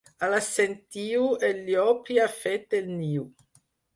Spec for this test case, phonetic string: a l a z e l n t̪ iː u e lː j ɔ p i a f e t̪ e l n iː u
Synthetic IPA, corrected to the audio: a l a s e n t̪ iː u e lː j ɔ p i a f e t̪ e l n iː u

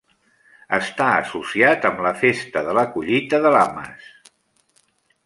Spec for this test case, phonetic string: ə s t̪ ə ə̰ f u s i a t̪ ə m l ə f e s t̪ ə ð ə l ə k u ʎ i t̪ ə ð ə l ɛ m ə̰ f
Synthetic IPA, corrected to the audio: ə s t̪ a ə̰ s u s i a t̪ ə m l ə f e s t̪ ə ð ə l ə k u ʎ i t̪ ə ð ə l a m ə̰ s

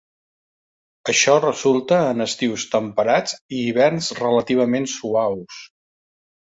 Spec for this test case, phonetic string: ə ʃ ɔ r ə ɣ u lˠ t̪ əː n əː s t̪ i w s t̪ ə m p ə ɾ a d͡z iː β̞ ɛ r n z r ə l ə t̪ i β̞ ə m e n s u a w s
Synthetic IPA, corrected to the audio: ə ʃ ɔ r ə z u lˠ t̪ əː n ə s t̪ i w s t̪ ə m p ə ɾ a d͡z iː β̞ ɛ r n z r ə l ə t̪ i β̞ ə m e n s u a w s

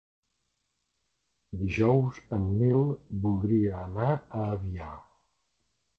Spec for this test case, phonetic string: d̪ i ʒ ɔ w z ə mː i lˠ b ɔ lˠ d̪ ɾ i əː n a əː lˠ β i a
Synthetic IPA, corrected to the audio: d̪ i ʒ ɔ w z ə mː i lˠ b u lˠ d̪ ɾ i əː n a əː β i a

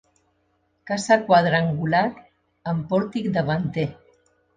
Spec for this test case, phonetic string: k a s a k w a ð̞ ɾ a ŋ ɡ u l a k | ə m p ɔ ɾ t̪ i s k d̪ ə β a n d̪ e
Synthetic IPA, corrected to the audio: k a s a k w a ð̞ ɾ a ŋ ɡ u l a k | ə m p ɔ ɾ t̪ i k d̪ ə β a n t̪ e

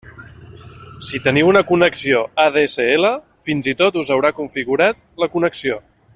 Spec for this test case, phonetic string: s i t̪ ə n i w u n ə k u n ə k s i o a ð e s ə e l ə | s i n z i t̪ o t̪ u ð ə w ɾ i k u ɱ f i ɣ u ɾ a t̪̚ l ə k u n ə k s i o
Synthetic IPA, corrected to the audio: s i t̪ ə n i w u n ə k u n ə k s i o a ð e s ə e l ə | f i n z i t̪ o t̪ u z ə w ɾ a k u ɱ f i ɣ u ɾ a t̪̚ l ə k u n ə k s i o

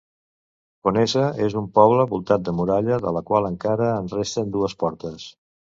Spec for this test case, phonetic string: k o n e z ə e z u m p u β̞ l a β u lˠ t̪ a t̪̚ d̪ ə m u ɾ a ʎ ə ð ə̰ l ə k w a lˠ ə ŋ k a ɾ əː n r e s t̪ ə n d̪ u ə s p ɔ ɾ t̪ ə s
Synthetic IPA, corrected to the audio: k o n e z ə e z u m p ɔ β̞ l ə β u lˠ t̪ a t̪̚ d̪ ə m u ɾ a ʎ ə ð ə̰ l ə k w a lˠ ə ŋ k a ɾ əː n r e s t̪ ə n d̪ u ə s p ɔ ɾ t̪ ə s

